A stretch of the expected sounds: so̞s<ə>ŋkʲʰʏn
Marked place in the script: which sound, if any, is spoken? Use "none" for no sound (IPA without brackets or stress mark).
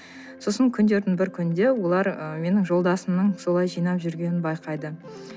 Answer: ə